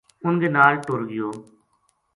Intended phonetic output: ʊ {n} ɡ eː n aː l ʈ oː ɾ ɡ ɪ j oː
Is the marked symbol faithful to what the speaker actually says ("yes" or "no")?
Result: yes